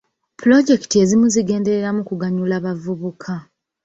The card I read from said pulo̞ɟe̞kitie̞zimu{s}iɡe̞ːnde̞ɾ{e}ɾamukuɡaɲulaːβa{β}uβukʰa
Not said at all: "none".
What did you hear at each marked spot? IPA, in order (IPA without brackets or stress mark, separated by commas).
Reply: z, e, v